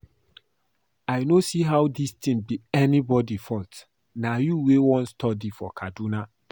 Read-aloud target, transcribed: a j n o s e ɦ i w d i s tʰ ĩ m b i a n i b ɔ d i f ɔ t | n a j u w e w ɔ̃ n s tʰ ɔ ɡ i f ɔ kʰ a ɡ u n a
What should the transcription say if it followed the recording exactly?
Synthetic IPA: a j n o s i ɦ a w d i s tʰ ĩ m b i ɛ n i b ɔ d i f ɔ t | n a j u w e w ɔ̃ n s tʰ ɔ d i f ɔ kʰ a d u n a